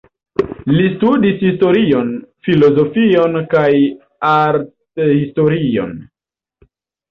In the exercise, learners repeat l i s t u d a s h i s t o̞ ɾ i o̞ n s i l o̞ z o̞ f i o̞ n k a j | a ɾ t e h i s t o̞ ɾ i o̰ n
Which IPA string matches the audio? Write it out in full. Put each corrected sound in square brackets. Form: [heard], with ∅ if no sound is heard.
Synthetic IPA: l i s t u d [i] s h i s t o̞ ɾ i o̞ n [f] i l o̞ z o̞ f i o̞ n k a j | a ɾ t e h i s t o̞ ɾ i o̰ n